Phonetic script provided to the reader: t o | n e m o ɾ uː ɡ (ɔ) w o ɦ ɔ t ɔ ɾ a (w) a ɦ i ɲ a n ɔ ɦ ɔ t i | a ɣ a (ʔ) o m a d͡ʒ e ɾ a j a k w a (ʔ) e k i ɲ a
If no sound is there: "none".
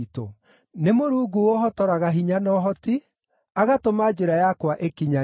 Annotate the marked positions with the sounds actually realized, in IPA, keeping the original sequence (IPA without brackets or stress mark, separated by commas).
u, ɣ, t, ʔ